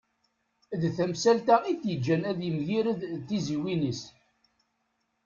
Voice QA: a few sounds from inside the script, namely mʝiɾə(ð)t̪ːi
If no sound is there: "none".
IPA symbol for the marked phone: ð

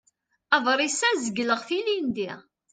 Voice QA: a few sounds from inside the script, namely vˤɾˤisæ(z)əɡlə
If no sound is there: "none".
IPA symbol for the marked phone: z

